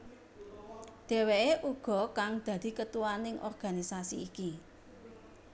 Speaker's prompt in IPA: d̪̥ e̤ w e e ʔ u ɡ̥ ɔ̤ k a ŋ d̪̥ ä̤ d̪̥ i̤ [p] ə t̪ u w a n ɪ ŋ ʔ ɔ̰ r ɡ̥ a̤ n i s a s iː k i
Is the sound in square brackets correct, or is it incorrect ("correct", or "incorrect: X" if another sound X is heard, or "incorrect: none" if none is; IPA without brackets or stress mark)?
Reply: incorrect: k